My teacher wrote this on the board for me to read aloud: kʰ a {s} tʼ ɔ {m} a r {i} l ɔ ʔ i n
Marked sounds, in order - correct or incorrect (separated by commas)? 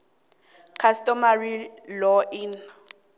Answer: correct, correct, correct